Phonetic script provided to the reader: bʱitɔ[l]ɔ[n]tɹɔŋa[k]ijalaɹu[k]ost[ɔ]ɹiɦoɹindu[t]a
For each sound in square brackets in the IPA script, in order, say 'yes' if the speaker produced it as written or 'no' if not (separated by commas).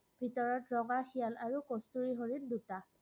no, no, no, yes, no, yes